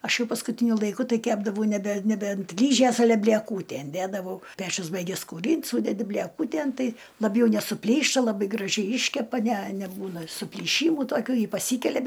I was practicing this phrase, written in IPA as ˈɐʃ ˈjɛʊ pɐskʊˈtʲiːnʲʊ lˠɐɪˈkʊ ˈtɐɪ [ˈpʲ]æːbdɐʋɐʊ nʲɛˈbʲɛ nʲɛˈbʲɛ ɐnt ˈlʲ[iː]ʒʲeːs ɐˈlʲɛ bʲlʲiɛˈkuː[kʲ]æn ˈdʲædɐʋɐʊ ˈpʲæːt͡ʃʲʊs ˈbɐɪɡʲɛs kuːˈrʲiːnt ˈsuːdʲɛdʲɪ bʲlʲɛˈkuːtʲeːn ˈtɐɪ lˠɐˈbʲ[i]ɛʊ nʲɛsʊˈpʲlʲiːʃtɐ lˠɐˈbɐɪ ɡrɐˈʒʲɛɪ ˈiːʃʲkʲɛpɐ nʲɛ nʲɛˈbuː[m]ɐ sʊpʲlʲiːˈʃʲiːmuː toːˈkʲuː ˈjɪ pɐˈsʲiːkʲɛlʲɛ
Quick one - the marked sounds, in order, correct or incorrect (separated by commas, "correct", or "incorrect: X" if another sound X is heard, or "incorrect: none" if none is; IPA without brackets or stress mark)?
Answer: incorrect: kʲ, correct, incorrect: tʲ, incorrect: j, incorrect: n